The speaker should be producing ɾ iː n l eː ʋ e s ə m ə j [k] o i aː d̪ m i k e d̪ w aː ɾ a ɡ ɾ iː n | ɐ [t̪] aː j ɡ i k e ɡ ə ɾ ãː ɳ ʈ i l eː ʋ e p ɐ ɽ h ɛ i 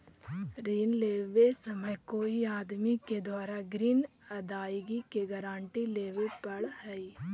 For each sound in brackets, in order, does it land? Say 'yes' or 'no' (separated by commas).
yes, no